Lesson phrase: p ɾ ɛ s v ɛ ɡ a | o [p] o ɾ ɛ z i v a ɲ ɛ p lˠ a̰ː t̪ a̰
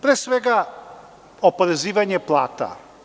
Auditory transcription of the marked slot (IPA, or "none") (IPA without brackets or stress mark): p